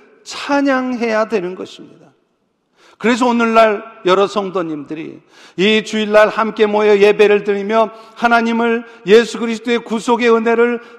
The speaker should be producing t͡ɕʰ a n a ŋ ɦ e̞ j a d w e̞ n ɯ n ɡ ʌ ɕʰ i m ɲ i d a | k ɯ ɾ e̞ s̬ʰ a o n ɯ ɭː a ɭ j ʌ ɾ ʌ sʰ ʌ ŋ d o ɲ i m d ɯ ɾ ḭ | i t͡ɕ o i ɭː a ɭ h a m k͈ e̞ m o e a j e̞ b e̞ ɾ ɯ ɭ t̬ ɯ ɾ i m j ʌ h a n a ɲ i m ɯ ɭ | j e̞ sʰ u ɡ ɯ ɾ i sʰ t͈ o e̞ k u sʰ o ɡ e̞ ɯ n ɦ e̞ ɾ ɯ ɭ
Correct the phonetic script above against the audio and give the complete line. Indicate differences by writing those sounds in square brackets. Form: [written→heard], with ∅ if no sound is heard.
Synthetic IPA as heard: t͡ɕʰ a [n→ɲ] a ŋ ɦ e̞ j a d w e̞ n ɯ n ɡ ʌ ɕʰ i m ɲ i d a | k ɯ ɾ e̞ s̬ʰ [a→ʌ] o n ɯ ɭː a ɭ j ʌ ɾ ʌ sʰ ʌ ŋ d o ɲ i m d ɯ ɾ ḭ | i t͡ɕ [o→u] i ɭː a ɭ h a m k͈ e̞ m o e [a→ʌ] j e̞ b e̞ ɾ ɯ ɭ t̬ ɯ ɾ i m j ʌ h a n a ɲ i m ɯ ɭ | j e̞ sʰ u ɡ ɯ ɾ i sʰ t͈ o e̞ k u sʰ o ɡ e̞ ɯ n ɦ e̞ ɾ ɯ ɭ